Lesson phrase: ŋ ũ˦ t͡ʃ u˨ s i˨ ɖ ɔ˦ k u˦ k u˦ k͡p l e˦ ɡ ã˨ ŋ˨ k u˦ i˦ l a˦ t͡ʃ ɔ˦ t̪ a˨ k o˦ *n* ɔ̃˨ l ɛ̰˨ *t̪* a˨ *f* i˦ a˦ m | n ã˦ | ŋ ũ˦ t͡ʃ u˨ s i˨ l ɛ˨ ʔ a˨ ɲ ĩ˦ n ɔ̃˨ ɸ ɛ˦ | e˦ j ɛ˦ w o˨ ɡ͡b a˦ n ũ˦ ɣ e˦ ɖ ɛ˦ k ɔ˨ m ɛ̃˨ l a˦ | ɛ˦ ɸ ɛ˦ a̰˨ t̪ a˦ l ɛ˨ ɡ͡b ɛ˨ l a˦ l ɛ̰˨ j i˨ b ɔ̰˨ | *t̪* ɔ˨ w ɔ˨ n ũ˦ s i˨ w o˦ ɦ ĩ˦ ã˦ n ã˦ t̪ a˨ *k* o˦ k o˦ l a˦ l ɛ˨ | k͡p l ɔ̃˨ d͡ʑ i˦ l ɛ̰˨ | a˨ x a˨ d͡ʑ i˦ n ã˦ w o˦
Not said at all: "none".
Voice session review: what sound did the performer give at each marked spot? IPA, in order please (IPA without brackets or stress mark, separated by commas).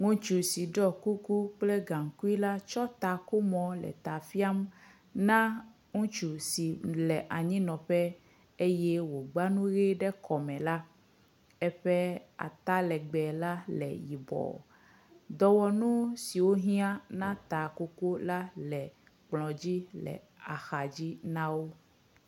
m, t̪, f, d̪, k